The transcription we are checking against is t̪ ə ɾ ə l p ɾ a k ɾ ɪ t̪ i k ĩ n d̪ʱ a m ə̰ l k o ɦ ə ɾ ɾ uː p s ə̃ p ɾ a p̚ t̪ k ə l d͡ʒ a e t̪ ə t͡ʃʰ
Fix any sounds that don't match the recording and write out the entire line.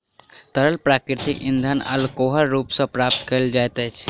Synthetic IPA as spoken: t̪ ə ɾ ə l p ɾ a k ɾ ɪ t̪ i k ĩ n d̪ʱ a n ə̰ l k o ɦ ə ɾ ɾ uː p s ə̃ p ɾ a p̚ t̪ k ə l d͡ʒ a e t̪ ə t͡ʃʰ